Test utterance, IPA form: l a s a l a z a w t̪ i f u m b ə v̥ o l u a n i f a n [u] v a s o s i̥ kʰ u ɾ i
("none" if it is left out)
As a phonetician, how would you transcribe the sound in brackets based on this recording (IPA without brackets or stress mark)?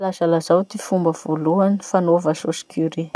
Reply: o